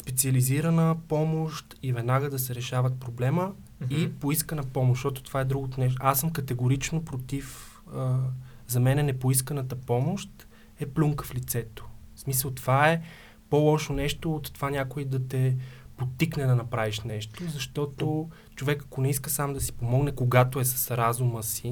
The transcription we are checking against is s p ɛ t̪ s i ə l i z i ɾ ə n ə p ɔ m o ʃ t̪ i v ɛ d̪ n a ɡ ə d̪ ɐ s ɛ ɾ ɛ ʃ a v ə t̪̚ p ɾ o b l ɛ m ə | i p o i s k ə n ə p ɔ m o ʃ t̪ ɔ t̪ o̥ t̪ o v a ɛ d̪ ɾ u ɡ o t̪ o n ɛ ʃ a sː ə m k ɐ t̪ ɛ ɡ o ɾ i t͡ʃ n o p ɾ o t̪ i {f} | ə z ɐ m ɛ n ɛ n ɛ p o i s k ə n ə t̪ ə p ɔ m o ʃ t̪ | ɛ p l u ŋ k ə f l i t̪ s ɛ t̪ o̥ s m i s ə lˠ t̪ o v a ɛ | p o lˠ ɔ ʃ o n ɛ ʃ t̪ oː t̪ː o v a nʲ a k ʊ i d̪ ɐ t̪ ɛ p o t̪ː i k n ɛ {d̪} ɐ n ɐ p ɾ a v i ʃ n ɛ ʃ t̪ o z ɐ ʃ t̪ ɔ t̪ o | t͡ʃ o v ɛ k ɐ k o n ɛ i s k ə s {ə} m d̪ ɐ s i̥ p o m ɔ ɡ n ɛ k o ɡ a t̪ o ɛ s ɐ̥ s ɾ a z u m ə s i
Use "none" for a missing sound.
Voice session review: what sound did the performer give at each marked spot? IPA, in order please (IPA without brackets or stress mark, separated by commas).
f, d̪, a